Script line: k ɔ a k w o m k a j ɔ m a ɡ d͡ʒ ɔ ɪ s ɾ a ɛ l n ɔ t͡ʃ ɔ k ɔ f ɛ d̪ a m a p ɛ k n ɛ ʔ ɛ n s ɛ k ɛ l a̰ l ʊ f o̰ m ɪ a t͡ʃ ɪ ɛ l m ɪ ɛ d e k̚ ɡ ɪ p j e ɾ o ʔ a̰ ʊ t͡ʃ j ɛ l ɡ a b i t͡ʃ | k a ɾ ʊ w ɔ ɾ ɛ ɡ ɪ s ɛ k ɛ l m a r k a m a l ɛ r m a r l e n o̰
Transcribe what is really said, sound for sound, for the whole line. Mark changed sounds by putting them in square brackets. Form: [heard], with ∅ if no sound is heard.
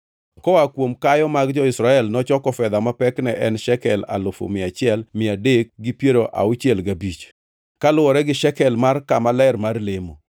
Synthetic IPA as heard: k ɔ a k w o m k a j ɔ m a ɡ d͡ʒ ɔ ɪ s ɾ a ɛ l n ɔ t͡ʃ ɔ k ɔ f ɛ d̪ a m a p ɛ k n ɛ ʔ ɛ n [ʃ] ɛ k ɛ l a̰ l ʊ f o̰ m ɪ a t͡ʃ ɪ ɛ l m ɪ [a] d e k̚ ɡ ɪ p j e ɾ o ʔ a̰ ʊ t͡ʃ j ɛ l ɡ a b i t͡ʃ | k a [l] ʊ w ɔ ɾ ɛ ɡ ɪ [ʃ] ɛ k ɛ l m a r k a m a l ɛ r m a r l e [m] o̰